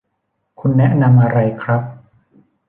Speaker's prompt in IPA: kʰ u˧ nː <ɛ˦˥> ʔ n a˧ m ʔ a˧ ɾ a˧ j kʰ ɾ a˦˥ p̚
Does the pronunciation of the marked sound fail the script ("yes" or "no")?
no